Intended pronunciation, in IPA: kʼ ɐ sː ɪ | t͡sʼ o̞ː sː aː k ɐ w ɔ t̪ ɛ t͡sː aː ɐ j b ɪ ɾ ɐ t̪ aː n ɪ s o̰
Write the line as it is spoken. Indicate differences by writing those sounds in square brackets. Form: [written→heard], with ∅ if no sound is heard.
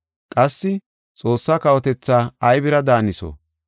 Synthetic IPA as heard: kʼ ɐ sː ɪ | t͡sʼ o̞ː sː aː k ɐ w ɔ t̪ ɛ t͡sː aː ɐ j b ɪ ɾ ɐ [t̪→d̪] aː n ɪ s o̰